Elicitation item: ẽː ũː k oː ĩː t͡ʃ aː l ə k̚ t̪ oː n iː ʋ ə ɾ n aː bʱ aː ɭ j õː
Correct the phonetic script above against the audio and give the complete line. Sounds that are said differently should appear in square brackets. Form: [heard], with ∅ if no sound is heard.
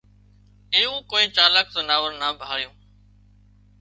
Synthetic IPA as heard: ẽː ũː k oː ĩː t͡ʃ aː l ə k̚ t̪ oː n [aː] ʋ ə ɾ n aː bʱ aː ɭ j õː